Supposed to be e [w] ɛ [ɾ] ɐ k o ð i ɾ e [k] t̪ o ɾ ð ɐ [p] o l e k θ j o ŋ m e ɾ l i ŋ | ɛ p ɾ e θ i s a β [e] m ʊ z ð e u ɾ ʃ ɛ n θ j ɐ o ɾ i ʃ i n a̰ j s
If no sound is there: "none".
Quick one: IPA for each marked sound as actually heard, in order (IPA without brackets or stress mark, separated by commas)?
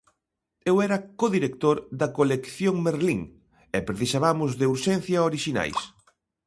w, ɾ, k, k, a